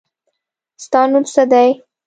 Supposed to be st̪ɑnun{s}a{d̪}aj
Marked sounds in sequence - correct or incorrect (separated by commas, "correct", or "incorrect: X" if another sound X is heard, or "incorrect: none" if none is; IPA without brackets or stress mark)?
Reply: correct, correct